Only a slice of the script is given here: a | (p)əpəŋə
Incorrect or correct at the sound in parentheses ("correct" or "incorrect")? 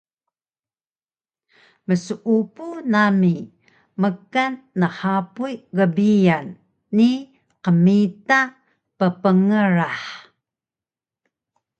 correct